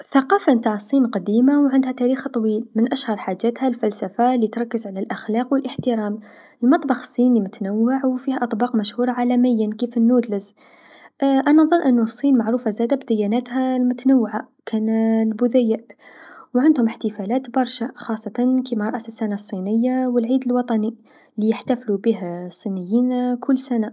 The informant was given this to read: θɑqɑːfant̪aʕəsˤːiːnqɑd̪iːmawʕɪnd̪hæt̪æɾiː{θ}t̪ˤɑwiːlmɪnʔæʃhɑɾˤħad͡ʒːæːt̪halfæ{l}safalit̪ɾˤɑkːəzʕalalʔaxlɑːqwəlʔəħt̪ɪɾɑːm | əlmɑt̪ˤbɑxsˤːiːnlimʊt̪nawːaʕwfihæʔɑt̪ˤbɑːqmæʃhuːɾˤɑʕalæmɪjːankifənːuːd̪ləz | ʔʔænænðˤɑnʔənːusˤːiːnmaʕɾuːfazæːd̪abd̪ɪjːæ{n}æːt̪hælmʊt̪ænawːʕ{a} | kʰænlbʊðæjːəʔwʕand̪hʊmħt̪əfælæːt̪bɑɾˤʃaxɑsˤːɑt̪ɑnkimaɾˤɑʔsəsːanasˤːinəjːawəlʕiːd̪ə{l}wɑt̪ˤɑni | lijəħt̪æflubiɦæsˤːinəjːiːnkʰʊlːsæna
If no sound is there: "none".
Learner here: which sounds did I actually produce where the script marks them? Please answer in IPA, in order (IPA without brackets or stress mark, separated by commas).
x, l, n, a, l